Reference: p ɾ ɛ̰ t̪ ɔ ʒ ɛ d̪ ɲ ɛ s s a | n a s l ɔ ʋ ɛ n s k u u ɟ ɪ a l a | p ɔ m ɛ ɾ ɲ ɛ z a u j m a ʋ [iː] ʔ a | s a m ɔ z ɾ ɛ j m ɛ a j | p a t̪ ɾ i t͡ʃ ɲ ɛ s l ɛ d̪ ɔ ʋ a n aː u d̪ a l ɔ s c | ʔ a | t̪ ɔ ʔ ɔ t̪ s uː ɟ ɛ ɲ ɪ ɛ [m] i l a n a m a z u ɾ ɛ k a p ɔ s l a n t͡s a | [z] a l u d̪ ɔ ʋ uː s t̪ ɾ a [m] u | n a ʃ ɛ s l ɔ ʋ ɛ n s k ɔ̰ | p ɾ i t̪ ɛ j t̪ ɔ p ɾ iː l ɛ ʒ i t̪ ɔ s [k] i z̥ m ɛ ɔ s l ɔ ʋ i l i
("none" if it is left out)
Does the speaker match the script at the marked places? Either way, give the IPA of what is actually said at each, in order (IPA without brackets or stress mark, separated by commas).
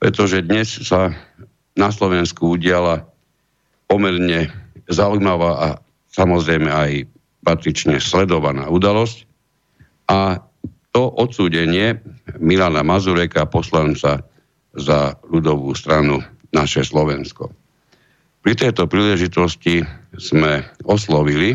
aː, m, z, n, c